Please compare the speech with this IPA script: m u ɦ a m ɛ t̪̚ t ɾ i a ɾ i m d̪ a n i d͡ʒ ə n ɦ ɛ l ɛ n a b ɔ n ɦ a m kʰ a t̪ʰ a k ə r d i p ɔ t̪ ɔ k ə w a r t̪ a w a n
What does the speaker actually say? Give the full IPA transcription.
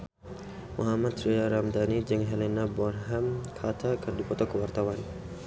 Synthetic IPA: m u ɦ a m a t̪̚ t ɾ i a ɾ a m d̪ a n i d͡ʒ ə ŋ ɦ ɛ l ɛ n a b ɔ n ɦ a m kʰ a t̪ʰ a k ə r d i p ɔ t̪ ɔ k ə w a r t̪ a w a n